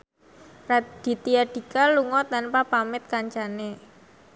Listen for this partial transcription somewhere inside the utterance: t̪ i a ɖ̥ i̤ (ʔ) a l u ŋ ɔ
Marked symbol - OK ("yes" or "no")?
no